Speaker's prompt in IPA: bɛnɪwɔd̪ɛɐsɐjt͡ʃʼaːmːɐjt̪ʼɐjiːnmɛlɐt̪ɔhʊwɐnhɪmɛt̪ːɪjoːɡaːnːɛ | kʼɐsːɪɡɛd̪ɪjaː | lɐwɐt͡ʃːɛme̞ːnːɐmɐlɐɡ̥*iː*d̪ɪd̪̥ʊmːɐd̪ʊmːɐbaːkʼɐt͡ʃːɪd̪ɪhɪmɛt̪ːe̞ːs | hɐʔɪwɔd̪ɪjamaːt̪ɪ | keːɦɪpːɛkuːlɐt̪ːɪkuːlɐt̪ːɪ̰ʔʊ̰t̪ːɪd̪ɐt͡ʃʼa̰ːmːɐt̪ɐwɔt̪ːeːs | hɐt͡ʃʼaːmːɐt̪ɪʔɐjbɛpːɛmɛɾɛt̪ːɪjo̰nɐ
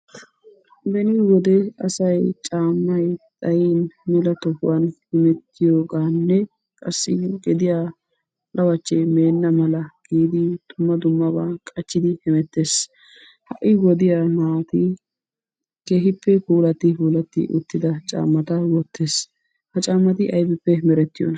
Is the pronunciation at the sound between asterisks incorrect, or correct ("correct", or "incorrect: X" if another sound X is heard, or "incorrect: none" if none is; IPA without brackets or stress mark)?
correct